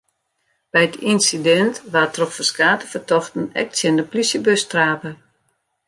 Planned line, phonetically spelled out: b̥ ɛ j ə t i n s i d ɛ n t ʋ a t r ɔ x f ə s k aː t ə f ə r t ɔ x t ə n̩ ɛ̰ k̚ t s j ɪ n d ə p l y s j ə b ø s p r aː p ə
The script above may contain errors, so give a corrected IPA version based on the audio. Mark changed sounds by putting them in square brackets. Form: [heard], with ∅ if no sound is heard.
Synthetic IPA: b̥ ɛ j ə t i n s i d ɛ n t ʋ a t r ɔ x f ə s k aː t ə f ə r t ɔ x t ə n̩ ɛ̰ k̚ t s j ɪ n d ə p l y s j ə b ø s [t] r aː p ə